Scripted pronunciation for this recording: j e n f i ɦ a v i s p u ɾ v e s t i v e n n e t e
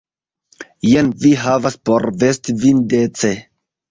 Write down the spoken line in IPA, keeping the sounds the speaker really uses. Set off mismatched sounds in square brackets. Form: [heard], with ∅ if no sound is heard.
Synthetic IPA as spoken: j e n [v] i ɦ a v [a] s p [o] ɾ v e s t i v [i] n [d] e [t͡s] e